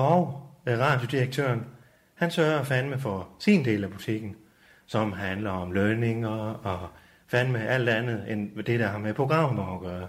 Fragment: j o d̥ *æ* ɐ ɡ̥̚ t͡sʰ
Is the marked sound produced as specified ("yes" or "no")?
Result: no